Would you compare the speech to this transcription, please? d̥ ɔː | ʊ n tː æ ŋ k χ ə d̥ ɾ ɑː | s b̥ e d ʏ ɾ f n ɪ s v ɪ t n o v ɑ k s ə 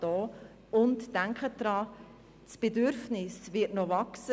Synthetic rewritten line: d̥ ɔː | ʊ n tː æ ŋ k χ ə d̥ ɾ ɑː | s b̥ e d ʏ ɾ f n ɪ s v ɪ t n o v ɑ k s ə